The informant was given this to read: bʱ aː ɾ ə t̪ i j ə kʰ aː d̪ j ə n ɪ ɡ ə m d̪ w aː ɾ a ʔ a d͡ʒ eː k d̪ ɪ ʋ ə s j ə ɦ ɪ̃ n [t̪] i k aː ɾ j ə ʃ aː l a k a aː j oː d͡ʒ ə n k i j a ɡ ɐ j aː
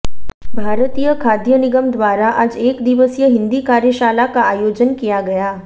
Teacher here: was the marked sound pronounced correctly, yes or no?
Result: no